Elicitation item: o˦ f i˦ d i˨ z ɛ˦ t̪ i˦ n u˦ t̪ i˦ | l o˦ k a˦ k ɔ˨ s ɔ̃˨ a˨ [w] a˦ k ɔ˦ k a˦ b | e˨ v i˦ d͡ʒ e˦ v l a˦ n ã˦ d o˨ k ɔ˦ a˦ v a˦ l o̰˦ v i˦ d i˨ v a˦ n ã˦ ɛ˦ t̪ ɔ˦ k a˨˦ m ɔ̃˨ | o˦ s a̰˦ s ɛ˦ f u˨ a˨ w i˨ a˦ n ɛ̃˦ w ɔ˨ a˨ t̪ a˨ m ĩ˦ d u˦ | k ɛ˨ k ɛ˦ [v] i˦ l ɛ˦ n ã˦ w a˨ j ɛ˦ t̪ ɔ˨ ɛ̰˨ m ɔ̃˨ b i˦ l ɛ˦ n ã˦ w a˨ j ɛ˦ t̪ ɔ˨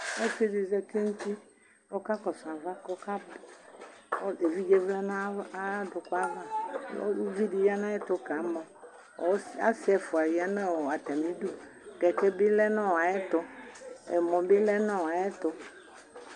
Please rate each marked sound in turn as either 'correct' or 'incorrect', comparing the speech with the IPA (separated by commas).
incorrect, incorrect